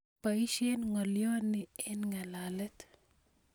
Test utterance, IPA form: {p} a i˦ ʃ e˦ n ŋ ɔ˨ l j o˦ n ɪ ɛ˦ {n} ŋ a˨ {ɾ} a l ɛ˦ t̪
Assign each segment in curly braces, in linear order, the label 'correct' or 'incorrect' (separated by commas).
correct, correct, incorrect